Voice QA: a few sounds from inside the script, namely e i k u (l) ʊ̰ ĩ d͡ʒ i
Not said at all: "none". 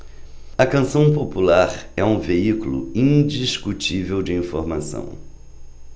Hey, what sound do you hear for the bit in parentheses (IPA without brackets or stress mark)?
l